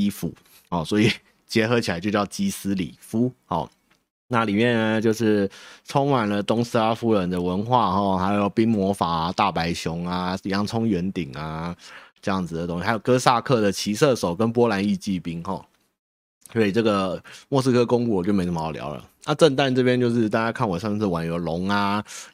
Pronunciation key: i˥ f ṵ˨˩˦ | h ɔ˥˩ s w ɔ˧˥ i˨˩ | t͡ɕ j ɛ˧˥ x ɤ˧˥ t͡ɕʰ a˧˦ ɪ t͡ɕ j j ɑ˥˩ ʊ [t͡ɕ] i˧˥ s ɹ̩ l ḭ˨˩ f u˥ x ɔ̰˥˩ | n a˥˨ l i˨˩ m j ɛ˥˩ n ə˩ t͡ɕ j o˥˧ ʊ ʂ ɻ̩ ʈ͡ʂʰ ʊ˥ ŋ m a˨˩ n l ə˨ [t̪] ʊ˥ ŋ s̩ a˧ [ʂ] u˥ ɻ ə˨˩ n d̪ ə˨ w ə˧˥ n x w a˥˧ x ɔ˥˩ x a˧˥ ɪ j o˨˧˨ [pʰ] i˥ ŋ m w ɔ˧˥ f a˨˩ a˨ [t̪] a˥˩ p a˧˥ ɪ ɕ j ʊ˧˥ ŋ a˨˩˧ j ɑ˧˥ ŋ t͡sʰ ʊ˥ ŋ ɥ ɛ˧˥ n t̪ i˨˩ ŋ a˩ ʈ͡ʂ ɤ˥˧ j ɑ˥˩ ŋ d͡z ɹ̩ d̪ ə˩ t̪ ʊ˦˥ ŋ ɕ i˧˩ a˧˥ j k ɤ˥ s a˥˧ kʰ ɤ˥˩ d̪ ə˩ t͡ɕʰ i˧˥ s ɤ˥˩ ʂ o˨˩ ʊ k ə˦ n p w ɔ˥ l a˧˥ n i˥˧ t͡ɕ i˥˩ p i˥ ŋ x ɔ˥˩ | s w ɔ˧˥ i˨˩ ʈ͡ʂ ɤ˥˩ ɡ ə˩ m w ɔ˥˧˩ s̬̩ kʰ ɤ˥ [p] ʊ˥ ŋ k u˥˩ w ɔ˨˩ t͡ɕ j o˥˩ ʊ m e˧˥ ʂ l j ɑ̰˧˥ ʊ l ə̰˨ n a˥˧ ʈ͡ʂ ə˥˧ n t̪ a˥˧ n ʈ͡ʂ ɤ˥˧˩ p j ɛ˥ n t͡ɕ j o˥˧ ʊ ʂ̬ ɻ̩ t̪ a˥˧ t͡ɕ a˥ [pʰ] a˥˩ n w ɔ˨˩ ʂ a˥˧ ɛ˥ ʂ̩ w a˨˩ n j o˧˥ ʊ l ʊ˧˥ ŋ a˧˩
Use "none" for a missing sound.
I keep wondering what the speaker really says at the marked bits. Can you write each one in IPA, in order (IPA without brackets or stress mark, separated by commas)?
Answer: t͡ɕ, t̪, f, p, t̪, k, kʰ